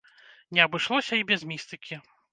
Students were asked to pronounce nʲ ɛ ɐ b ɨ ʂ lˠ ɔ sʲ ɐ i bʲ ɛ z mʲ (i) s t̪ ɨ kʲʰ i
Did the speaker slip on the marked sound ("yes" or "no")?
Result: no